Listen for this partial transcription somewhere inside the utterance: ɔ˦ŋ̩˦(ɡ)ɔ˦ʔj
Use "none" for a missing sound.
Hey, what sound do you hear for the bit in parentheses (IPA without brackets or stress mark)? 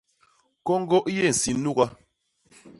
ɡ